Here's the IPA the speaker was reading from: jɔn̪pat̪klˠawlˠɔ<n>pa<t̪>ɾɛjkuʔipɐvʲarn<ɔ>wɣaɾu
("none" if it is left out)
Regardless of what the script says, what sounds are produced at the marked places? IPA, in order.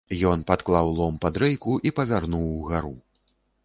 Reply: m, d̪, u

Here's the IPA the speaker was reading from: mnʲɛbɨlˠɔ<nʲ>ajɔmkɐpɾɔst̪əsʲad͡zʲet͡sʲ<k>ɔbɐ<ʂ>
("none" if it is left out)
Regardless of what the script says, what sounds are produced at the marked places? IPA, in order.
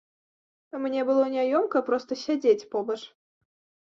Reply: nʲ, p, ʂ

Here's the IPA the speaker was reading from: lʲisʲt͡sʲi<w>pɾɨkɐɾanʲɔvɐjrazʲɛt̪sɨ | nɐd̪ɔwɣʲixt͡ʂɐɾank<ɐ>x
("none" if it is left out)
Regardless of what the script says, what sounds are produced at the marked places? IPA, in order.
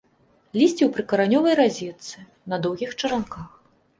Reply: w, a

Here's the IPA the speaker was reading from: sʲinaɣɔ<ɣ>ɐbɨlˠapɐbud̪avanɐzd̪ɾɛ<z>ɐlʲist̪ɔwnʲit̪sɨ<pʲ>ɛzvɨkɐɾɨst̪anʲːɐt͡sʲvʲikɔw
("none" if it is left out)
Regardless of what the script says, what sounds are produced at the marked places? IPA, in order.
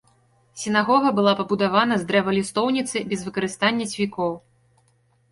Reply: ɣ, v, bʲ

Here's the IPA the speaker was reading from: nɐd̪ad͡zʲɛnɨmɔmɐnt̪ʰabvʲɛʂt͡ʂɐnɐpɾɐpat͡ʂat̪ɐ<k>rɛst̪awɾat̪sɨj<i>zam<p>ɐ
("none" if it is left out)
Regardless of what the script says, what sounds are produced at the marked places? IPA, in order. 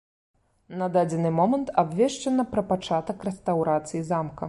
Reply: k, i, k

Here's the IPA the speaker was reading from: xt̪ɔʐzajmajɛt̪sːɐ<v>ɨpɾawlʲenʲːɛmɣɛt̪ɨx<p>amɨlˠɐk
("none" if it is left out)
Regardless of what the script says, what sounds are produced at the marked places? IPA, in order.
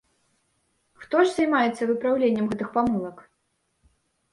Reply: v, p

